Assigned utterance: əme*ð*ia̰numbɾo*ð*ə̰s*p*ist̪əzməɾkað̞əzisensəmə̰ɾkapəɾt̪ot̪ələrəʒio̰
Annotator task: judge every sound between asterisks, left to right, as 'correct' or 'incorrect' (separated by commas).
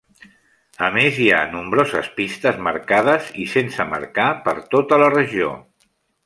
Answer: incorrect, incorrect, correct